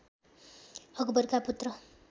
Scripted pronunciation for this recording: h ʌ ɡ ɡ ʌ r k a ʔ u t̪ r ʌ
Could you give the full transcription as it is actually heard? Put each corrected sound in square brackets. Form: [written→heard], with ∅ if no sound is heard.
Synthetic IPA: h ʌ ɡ [ɡ→b] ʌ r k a [ʔ→p] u t̪ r ʌ